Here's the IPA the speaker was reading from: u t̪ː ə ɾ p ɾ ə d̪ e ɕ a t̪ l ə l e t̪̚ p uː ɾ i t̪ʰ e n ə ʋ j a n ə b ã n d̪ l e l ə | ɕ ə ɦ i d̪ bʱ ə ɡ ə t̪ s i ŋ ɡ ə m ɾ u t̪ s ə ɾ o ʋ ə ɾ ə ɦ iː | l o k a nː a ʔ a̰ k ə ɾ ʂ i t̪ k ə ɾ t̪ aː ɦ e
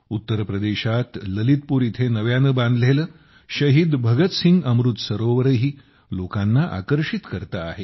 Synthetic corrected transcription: u t̪ː ə ɾ p ɾ ə d̪ e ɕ a t̪ l ə l i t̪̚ p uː ɾ i t̪ʰ e n ə ʋ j a n ə b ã n d̪ l e l ə | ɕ ə ɦ i d̪ bʱ ə ɡ ə t̪ s i ŋ ɡ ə m ɾ u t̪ s ə ɾ o ʋ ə ɾ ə ɦ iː | l o k a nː a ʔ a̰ k ə ɾ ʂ i t̪ k ə ɾ t̪ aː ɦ e